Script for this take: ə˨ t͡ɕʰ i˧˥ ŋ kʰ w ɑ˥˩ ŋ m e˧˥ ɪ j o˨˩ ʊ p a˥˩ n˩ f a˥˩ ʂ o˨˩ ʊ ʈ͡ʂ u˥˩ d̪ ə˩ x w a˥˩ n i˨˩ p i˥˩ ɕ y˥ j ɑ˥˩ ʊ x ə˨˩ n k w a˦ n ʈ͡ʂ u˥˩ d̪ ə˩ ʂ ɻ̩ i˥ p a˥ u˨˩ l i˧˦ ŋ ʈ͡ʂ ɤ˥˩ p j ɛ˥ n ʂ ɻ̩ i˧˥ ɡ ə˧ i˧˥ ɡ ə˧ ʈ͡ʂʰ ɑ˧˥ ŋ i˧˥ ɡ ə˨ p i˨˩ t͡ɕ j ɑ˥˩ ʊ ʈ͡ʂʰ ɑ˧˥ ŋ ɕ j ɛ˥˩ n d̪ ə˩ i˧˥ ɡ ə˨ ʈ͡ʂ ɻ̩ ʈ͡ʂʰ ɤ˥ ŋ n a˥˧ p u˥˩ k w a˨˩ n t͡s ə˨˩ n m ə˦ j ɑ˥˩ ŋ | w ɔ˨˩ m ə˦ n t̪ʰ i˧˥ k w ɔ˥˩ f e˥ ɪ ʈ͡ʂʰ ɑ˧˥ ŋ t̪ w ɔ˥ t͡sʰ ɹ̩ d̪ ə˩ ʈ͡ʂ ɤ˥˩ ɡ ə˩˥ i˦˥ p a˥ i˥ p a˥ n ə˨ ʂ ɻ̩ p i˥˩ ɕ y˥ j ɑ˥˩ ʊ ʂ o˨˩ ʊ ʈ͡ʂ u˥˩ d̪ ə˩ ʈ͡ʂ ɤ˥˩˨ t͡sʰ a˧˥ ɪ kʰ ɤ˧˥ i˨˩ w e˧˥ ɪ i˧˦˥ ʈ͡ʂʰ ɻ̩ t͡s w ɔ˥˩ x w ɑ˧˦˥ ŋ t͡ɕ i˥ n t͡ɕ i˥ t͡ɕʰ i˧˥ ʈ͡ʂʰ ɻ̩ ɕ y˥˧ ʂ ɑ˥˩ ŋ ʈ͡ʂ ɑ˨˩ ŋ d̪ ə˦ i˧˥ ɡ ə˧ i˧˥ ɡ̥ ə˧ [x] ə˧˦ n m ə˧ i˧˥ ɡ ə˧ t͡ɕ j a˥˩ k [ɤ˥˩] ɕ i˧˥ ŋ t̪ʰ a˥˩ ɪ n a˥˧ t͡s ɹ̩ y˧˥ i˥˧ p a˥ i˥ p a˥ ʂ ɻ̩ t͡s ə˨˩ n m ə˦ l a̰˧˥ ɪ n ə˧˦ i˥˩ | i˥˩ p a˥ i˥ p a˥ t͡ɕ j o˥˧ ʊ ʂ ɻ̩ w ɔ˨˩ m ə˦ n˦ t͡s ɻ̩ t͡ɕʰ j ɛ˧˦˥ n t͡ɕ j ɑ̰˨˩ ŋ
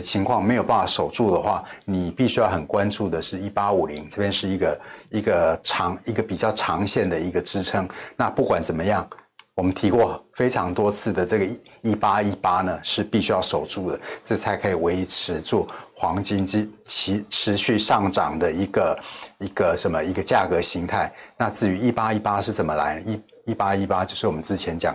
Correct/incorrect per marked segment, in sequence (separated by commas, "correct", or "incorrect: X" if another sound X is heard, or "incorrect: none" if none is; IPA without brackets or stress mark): incorrect: ʂ, incorrect: ɤ˧˥